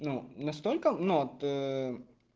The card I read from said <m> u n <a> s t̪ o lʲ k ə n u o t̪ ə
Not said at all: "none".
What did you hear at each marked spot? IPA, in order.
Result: n, ɐ

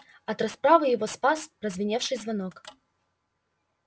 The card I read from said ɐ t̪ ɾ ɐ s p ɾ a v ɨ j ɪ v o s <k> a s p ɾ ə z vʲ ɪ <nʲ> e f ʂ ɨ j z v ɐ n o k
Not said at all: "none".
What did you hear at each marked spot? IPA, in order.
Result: p, nʲ

